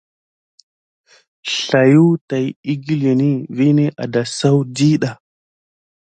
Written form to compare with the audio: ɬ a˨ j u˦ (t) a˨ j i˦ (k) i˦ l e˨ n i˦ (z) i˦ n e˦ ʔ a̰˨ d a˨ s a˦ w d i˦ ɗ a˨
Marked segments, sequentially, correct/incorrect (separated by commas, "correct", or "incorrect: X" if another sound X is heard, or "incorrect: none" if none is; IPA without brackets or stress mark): correct, incorrect: ɡ, incorrect: v